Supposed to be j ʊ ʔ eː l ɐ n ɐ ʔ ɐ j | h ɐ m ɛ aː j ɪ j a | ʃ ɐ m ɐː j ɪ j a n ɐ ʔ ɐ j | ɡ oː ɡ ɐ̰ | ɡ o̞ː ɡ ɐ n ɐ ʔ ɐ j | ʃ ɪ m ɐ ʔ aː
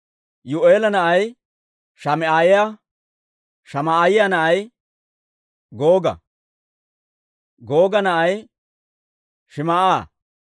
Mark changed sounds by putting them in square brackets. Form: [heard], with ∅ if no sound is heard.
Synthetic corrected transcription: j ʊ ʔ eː l ɐ n ɐ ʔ ɐ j | [ʃ] ɐ m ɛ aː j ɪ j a | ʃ ɐ m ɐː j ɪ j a n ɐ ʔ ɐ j | ɡ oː ɡ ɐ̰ | ɡ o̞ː ɡ ɐ n ɐ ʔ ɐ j | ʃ ɪ m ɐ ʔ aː